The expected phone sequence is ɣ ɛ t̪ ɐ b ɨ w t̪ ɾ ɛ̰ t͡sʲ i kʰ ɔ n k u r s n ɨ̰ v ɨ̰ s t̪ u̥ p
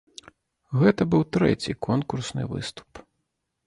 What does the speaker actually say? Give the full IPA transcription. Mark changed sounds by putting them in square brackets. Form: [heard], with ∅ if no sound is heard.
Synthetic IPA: ɣ ɛ t̪ ɐ b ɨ w t̪ ɾ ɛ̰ t͡sʲ i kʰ ɔ n k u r s n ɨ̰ v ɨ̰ s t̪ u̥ p